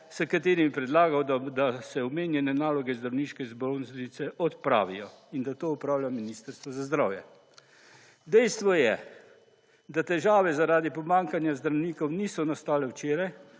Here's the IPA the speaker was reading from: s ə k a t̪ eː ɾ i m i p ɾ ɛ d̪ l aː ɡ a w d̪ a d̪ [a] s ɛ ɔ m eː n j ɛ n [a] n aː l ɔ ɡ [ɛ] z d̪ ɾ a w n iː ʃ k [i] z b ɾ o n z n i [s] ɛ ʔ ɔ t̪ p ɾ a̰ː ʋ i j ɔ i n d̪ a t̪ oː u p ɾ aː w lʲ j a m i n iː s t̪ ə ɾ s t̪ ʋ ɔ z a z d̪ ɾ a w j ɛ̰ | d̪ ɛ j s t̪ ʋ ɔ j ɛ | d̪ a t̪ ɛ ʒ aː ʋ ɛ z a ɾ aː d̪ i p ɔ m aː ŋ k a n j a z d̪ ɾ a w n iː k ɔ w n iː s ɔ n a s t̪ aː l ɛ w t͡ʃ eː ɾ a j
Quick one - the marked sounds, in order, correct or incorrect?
correct, incorrect, correct, incorrect, correct

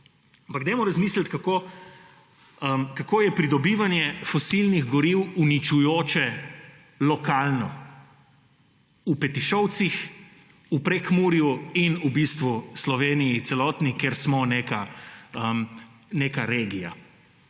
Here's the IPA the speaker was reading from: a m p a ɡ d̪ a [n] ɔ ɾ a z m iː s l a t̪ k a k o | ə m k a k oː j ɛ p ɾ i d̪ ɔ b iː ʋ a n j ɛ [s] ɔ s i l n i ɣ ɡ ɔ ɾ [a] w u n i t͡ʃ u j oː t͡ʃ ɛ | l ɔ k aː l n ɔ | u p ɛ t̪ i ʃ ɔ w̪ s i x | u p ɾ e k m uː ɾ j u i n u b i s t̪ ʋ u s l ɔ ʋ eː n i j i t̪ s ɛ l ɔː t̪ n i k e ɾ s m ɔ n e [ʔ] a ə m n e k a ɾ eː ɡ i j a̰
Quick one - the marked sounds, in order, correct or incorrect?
incorrect, incorrect, incorrect, incorrect

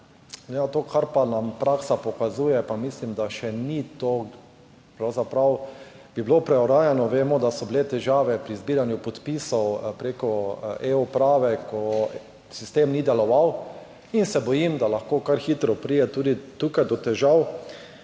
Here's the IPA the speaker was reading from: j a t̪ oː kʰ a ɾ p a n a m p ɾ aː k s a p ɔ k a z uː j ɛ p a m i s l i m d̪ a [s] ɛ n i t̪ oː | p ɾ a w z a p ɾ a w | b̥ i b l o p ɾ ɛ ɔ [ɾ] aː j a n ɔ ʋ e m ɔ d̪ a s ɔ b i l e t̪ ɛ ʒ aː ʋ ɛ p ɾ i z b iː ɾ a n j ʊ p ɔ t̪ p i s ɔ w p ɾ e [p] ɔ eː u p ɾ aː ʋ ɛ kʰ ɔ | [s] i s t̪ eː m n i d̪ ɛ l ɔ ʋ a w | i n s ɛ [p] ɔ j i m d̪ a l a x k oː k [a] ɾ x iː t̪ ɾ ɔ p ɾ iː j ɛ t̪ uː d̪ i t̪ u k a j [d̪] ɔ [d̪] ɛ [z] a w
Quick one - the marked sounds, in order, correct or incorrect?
incorrect, correct, incorrect, correct, incorrect, correct, correct, incorrect, incorrect

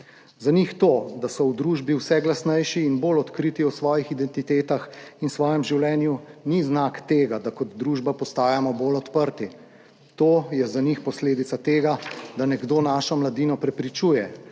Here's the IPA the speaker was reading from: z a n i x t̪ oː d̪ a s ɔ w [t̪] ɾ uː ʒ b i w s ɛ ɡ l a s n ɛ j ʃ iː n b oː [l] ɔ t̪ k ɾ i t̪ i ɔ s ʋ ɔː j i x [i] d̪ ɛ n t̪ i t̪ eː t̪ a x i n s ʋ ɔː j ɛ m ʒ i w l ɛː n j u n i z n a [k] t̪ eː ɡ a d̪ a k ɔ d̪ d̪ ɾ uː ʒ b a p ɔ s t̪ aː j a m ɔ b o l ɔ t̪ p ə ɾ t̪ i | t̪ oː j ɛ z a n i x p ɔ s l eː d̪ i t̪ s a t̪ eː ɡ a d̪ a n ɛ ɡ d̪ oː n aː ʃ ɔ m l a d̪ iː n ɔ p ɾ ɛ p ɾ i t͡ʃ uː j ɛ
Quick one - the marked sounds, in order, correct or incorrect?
incorrect, correct, correct, correct

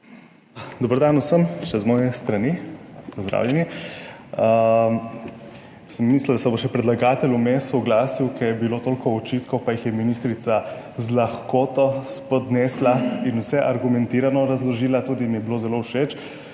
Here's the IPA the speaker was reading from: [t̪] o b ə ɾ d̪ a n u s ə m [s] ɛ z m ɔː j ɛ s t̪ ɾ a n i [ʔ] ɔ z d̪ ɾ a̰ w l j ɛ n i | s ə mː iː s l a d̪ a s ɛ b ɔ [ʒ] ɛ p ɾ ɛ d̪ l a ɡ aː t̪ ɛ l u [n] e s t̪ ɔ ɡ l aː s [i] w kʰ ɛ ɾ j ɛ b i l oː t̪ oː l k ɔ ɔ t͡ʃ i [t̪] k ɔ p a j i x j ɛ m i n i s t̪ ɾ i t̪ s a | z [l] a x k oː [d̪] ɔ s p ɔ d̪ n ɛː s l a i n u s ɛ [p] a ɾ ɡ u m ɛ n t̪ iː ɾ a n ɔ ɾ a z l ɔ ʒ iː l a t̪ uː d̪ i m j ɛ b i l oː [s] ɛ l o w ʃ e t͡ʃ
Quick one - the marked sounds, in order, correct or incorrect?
incorrect, incorrect, incorrect, incorrect, incorrect, correct, correct, correct, incorrect, incorrect, incorrect

